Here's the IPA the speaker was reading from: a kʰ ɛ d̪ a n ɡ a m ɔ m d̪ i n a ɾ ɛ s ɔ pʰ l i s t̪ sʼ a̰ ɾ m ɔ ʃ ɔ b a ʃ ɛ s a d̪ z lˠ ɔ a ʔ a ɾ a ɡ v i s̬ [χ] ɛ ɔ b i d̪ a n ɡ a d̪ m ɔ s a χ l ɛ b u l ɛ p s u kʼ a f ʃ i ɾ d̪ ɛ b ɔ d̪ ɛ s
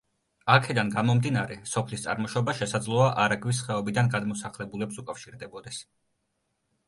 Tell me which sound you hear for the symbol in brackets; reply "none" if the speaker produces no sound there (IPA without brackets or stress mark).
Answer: χ